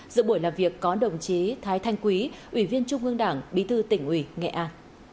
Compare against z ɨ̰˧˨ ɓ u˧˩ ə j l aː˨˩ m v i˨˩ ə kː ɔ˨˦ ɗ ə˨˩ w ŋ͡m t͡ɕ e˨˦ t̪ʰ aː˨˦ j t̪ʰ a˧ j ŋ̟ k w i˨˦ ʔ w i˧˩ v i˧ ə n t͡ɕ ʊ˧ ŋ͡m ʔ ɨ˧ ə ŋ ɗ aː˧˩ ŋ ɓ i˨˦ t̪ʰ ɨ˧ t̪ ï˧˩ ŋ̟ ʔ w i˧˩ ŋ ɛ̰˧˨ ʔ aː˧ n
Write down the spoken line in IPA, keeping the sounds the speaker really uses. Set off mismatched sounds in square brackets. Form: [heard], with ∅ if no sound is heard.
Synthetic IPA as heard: z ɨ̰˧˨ ɓ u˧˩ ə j l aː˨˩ m v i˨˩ ə kː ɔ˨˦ ɗ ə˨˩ w ŋ͡m t͡ɕ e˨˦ t̪ʰ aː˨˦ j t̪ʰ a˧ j ŋ̟ k w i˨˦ ʔ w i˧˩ v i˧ ə n t͡ɕ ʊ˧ ŋ͡m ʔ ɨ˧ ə ŋ ɗ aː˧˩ ŋ ɓ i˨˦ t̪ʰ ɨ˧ t̪ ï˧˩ ŋ̟ ʔ w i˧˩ ŋ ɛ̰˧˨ ʔ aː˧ n